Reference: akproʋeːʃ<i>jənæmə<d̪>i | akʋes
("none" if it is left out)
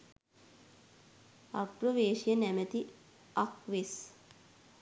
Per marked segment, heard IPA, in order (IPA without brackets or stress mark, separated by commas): i, t̪